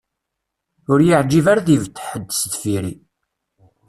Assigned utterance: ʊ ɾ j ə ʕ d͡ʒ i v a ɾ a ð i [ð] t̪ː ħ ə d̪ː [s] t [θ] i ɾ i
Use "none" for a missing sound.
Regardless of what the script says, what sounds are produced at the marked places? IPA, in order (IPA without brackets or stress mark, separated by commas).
v, s, f